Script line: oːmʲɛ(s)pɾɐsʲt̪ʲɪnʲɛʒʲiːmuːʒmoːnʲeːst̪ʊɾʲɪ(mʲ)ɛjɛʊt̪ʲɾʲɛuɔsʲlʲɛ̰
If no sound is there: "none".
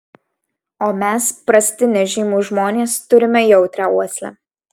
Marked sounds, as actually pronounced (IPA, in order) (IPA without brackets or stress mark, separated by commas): s, mʲ